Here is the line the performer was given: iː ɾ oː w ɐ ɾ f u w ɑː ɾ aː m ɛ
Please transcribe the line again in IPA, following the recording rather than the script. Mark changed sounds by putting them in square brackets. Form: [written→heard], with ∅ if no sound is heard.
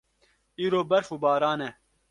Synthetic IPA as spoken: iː ɾ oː [w→b] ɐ ɾ f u [w→b] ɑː ɾ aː [m→n] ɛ